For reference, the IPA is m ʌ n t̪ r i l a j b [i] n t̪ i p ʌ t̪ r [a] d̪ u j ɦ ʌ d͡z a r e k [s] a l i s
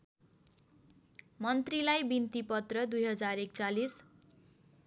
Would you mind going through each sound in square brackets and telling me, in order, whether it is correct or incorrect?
correct, incorrect: ʌ, incorrect: t͡s

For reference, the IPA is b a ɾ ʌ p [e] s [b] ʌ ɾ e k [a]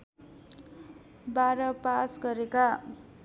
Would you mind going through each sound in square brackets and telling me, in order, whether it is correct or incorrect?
incorrect: a, incorrect: ɡ, correct

